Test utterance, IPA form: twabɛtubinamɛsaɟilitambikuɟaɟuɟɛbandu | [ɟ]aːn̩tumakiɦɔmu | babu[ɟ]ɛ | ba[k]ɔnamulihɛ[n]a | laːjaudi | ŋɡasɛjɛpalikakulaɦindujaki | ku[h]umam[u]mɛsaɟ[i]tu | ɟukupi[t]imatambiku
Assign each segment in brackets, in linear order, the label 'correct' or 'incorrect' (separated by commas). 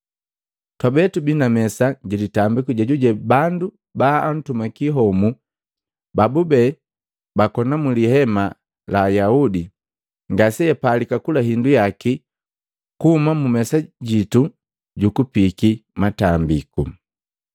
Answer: incorrect, incorrect, correct, incorrect, correct, correct, correct, incorrect